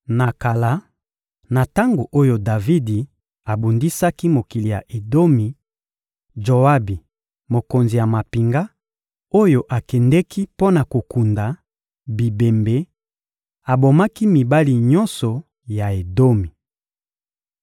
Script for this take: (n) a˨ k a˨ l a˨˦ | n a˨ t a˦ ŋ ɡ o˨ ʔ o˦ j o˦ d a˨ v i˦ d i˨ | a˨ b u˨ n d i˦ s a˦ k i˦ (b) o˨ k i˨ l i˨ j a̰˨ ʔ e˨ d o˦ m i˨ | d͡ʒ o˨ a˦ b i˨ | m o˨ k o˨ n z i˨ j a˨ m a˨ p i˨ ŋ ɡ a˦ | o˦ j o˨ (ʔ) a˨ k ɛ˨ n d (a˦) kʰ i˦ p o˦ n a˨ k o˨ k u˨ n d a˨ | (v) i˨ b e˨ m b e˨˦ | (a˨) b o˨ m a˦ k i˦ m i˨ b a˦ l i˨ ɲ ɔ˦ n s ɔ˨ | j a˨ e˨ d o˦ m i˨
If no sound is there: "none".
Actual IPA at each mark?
n, m, ʔ, ɛ˦, b, a˨

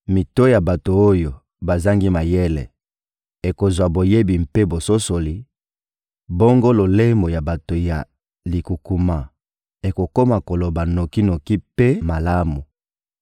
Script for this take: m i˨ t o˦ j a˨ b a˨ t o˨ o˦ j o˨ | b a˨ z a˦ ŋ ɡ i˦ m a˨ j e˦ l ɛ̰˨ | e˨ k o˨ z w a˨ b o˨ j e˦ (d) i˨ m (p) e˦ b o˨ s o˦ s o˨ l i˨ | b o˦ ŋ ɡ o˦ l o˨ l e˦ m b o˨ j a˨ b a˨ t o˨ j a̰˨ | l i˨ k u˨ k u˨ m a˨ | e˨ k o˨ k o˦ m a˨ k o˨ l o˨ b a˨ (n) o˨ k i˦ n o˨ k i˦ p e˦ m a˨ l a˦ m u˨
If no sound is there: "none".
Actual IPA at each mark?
b, p, n

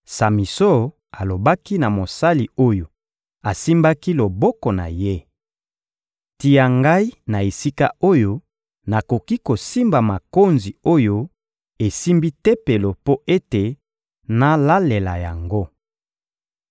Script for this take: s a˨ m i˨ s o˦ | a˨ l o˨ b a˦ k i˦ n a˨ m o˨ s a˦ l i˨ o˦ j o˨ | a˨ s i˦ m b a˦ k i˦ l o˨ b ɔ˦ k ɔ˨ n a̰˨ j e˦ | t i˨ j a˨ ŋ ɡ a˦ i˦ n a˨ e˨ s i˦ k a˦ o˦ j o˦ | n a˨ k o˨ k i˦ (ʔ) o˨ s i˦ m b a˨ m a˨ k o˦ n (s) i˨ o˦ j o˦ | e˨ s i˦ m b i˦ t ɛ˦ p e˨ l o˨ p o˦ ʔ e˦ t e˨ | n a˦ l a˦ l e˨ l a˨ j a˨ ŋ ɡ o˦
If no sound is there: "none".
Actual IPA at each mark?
k, z

